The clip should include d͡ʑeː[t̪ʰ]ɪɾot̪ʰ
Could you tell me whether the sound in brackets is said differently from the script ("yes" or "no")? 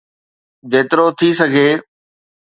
yes